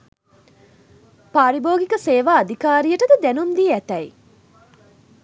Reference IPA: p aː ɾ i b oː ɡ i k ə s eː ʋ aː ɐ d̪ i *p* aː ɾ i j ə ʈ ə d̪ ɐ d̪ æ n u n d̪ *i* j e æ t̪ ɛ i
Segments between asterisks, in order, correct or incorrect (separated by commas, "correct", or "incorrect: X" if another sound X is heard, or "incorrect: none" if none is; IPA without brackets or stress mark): incorrect: k, correct